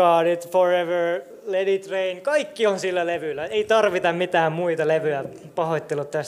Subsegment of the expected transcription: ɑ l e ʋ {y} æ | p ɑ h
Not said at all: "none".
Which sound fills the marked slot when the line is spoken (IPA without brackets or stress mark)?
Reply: y